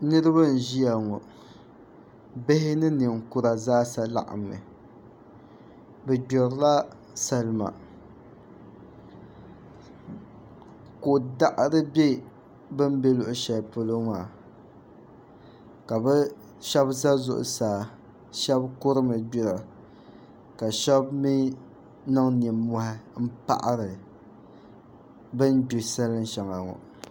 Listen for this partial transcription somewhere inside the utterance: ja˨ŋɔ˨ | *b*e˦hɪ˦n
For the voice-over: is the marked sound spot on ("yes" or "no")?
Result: yes